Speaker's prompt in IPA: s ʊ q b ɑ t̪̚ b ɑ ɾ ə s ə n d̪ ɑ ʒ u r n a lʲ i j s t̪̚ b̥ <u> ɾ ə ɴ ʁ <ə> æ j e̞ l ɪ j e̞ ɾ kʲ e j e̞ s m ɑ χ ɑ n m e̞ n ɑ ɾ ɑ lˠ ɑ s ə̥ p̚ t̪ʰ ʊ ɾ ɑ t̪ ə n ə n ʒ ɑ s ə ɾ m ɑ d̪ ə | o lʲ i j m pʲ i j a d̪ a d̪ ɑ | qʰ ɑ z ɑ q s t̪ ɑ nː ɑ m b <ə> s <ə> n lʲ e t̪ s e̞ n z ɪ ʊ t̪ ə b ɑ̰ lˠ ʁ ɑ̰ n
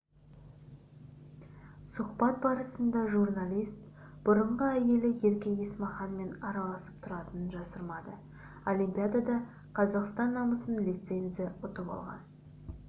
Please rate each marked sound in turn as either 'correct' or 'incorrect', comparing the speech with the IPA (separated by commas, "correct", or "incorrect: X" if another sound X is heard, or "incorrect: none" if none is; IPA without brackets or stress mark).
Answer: incorrect: ʊ, correct, correct, correct